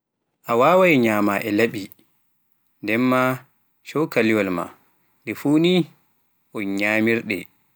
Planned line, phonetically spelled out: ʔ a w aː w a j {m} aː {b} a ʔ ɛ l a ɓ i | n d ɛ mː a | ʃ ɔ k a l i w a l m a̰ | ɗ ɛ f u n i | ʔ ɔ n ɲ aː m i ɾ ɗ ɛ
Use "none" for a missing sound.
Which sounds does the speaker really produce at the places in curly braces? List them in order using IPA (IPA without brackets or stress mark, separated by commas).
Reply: ɲ, m